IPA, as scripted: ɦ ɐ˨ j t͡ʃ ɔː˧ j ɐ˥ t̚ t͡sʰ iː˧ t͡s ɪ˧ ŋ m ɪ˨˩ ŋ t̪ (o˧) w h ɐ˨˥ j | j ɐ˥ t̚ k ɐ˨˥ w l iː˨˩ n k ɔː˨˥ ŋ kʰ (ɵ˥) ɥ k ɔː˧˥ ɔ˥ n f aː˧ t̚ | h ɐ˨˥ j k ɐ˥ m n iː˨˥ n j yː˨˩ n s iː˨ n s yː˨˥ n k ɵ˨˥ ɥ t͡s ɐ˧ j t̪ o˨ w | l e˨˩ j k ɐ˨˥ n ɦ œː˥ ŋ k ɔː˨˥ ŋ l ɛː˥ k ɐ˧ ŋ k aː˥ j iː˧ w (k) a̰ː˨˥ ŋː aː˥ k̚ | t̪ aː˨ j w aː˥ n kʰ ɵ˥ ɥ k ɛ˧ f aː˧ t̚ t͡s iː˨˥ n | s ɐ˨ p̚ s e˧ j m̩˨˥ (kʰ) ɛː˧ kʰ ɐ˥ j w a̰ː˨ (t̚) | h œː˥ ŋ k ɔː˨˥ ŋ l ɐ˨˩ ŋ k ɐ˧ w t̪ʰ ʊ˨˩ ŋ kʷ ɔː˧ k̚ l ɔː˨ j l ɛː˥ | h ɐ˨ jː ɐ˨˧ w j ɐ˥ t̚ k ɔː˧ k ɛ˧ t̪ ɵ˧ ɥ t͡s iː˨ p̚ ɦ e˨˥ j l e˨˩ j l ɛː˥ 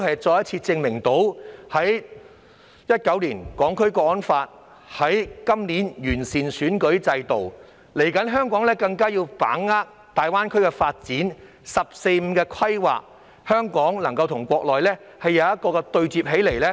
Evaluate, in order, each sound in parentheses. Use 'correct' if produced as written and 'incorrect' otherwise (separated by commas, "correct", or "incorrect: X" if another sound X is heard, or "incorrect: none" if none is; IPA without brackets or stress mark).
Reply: incorrect: o˨˥, correct, incorrect: p, incorrect: k, incorrect: k̚